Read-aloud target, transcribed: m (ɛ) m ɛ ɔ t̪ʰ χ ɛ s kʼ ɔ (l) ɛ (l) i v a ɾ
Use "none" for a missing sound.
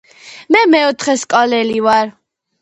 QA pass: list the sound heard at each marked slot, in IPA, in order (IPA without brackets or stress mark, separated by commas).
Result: ɛ, l, l